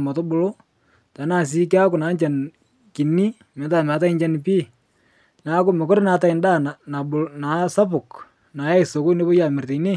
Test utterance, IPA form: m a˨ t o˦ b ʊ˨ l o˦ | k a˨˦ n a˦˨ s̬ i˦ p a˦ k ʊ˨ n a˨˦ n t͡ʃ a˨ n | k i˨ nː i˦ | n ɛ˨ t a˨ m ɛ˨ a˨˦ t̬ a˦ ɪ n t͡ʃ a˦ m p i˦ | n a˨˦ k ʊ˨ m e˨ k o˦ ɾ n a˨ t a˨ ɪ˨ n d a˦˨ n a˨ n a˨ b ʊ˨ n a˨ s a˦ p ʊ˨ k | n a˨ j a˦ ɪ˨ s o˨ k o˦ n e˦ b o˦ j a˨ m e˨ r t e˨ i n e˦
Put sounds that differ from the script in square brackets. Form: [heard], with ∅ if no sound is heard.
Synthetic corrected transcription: m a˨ t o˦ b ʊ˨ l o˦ | [t] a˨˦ n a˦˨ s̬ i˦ [k] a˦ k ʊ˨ n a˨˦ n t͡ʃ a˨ n | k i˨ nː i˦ | [m] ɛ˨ t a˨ m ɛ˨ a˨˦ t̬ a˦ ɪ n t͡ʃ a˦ [n] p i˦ | n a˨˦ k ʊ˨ m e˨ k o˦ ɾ n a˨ t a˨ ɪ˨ n d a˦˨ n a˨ n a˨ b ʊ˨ n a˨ s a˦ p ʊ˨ k | n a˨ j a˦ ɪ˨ s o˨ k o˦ n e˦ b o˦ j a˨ m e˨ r t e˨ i n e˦